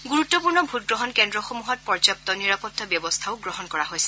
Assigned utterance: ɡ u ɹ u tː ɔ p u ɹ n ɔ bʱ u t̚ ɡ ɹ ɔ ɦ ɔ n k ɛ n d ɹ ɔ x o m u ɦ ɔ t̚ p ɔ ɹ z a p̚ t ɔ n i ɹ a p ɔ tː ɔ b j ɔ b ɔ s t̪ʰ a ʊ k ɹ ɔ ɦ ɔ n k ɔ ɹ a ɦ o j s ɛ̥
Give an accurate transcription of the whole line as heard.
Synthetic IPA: ɡ u ɹ u tː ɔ p u ɹ n ɔ bʱ u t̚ ɡ ɹ ɔ ɦ ɔ n k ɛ n d ɹ ɔ x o m u ɦ ɔ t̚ p ɔ ɹ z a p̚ t ɔ n i ɹ a p ɔ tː ɔ b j ɔ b ɔ s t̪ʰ a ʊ ɡ ɹ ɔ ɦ ɔ n k ɔ ɹ a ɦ o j s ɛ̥